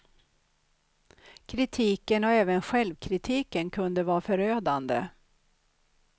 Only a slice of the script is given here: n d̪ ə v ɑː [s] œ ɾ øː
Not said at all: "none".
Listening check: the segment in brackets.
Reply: f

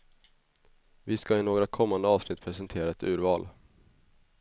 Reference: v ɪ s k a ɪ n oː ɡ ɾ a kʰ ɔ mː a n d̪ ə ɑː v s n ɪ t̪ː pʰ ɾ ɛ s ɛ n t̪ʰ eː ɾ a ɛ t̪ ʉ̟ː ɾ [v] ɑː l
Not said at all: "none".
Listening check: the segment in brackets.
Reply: v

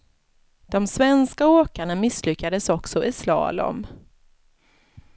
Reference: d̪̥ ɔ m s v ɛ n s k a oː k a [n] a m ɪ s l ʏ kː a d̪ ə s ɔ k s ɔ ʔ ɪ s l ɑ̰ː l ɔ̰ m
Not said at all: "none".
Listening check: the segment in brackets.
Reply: ɳ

